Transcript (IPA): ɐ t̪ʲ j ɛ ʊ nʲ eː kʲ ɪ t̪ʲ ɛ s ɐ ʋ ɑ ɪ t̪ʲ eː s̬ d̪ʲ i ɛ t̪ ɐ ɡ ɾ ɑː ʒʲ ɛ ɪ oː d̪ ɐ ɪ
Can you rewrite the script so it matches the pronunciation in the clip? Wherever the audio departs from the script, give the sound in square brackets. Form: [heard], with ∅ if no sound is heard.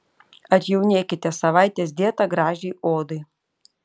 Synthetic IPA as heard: ɐ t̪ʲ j ɛ ʊ nʲ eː kʲ ɪ t̪ʲ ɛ s ɐ ʋ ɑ ɪ t̪ʲ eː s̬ d̪ʲ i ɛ t̪ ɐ ɡ ɾ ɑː ʒʲ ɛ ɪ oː d̪ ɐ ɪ